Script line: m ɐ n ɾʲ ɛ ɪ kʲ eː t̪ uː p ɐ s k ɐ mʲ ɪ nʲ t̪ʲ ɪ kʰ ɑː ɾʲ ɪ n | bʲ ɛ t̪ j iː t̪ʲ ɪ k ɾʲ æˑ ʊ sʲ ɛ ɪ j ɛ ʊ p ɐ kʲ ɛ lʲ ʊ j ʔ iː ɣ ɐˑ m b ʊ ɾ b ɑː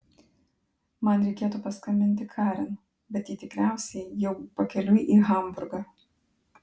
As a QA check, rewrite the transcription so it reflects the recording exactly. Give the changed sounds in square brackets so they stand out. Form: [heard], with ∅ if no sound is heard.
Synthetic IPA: m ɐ n ɾʲ ɛ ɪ kʲ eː t̪ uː p ɐ s k ɐ mʲ ɪ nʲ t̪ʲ ɪ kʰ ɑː ɾʲ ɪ n | bʲ ɛ t̪ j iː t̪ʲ ɪ k ɾʲ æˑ ʊ sʲ ɛ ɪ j ɛ ʊ p ɐ kʲ ɛ lʲ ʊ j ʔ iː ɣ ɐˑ m b ʊ ɾ [ɡ] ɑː

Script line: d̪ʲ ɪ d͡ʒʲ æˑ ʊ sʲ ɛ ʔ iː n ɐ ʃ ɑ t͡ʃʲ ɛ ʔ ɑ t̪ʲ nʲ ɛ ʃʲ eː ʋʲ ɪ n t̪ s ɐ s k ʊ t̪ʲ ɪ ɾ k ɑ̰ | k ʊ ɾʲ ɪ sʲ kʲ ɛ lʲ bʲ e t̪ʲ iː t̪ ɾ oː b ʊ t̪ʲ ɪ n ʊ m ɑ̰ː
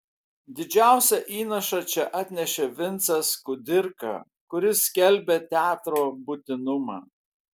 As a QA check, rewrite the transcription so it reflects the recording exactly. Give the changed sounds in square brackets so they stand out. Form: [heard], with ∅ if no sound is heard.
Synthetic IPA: d̪ʲ ɪ d͡ʒʲ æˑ ʊ sʲ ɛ ʔ iː n ɐ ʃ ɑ t͡ʃʲ ɛ ʔ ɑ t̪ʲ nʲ ɛ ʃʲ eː ʋʲ ɪ n t̪ s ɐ s k ʊ [d̪ʲ] ɪ ɾ k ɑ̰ | k ʊ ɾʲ ɪ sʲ kʲ ɛ lʲ bʲ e t̪ʲ [æː] t̪ ɾ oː b ʊ t̪ʲ ɪ n ʊ m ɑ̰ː

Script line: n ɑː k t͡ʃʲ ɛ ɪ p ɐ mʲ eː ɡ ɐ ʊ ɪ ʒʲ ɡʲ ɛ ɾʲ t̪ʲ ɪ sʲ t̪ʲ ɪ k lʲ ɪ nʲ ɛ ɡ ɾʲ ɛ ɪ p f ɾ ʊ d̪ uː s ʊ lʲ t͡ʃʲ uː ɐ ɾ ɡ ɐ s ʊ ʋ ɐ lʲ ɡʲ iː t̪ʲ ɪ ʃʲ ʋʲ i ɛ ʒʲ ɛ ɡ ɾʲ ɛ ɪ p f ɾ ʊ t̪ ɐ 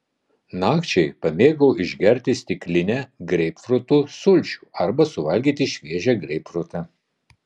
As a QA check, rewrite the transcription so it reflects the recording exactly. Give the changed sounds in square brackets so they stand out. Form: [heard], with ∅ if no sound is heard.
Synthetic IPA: n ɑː k t͡ʃʲ ɛ ɪ p ɐ mʲ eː ɡ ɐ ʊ ɪ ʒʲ ɡʲ ɛ ɾʲ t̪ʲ ɪ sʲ t̪ʲ ɪ k lʲ ɪ nʲ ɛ ɡ ɾʲ ɛ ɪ p f ɾ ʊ [t̪] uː s ʊ lʲ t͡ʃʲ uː ɐ ɾ [b] ɐ s ʊ ʋ ɐ lʲ ɡʲ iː t̪ʲ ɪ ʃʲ ʋʲ i ɛ ʒʲ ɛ ɡ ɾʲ ɛ ɪ p f ɾ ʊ t̪ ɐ

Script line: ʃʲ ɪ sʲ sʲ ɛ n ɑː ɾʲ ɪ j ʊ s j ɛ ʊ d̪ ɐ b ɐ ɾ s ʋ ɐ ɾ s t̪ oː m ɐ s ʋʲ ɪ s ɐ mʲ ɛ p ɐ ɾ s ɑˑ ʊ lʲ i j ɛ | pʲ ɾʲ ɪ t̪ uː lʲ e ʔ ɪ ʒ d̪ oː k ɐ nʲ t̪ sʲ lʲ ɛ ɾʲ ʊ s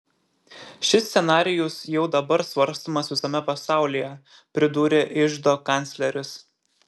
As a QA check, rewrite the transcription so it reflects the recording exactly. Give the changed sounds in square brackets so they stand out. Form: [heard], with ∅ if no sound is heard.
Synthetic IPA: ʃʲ ɪ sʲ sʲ ɛ n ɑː ɾʲ ɪ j ʊ s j ɛ ʊ d̪ ɐ b ɐ ɾ s ʋ ɐ ɾ s t̪ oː m ɐ s ʋʲ ɪ s ɐ mʲ ɛ p ɐ [∅] s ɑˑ ʊ lʲ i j ɛ | pʲ ɾʲ ɪ [d̪] uː [ɾʲ] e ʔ ɪ ʒ d̪ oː k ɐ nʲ t̪ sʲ lʲ ɛ ɾʲ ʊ s

